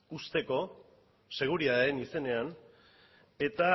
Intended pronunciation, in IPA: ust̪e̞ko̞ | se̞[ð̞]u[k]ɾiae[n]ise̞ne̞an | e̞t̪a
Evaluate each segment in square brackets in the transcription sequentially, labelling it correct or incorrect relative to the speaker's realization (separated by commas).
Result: incorrect, incorrect, correct